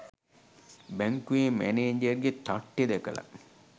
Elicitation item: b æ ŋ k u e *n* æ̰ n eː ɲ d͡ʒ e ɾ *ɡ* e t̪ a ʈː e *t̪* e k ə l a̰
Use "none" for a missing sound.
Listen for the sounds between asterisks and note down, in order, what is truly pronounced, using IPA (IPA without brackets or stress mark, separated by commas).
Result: m, ɡ, d̪